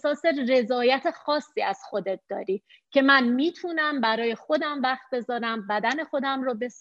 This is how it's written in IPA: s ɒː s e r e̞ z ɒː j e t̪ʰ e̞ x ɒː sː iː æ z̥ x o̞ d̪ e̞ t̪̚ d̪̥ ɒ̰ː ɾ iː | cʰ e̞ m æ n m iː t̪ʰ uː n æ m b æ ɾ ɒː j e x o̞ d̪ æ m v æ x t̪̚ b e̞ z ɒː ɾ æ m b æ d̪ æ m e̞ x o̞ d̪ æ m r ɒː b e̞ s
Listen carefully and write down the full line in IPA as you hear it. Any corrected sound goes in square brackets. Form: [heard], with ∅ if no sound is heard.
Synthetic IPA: s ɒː s e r e̞ z ɒː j [æ] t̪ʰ e̞ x ɒː sː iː æ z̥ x o̞ d̪ e̞ t̪̚ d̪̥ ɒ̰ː ɾ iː | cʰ e̞ m æ n m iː t̪ʰ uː n æ m b æ ɾ ɒː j e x o̞ d̪ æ m v æ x t̪̚ b e̞ z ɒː ɾ æ m b æ d̪ æ [n] e̞ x o̞ d̪ æ m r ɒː b e̞ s